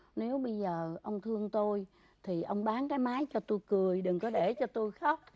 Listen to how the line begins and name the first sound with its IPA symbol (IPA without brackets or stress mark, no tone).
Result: n